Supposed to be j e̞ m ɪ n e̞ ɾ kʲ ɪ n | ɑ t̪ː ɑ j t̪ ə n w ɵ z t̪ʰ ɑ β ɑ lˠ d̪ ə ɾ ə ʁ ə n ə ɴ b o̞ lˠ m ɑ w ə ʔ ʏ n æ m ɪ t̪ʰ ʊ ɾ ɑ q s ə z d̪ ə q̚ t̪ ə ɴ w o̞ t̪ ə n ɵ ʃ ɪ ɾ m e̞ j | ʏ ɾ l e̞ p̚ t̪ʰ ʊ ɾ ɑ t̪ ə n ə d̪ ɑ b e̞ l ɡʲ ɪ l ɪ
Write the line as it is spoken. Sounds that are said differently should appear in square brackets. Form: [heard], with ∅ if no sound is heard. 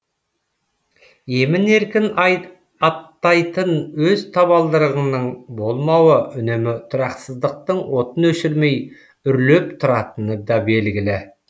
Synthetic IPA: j e̞ m ɪ n e̞ ɾ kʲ ɪ n | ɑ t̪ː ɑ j t̪ ə n w ɵ z t̪ʰ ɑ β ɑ lˠ d̪ ə ɾ ə ʁ ə n ə ɴ b o̞ lˠ m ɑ w ə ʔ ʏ n [e] m ɪ t̪ʰ ʊ ɾ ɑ q s ə z d̪ ə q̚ t̪ ə ɴ w o̞ t̪ ə n ɵ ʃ ɪ ɾ m e̞ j | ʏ ɾ l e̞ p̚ t̪ʰ ʊ ɾ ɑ t̪ ə n ə d̪ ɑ b e̞ l ɡʲ ɪ l ɪ